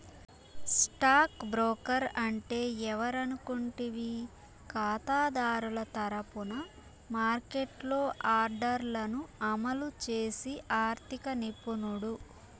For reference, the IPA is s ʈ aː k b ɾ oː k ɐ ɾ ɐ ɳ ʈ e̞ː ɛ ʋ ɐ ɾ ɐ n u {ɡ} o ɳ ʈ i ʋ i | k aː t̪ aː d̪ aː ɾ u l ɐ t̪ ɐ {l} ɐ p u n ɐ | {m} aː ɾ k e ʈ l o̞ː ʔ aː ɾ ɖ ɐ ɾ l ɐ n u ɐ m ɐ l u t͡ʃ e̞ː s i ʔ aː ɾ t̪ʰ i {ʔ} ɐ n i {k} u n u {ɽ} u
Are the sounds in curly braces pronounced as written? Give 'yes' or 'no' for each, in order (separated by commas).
no, no, yes, no, no, yes